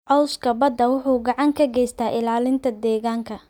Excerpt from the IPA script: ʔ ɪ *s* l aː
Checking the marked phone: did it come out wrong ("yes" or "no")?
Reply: yes